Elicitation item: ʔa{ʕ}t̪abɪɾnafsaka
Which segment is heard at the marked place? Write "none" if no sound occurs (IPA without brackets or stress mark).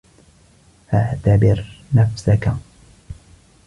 ʕ